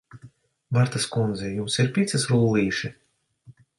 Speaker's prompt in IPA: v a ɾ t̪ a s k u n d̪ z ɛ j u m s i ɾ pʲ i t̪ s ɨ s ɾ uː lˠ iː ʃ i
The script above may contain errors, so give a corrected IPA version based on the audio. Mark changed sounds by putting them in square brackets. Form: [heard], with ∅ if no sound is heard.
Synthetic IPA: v a ɾ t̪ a s k u n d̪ z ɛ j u m s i ɾ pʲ i t̪ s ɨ s ɾ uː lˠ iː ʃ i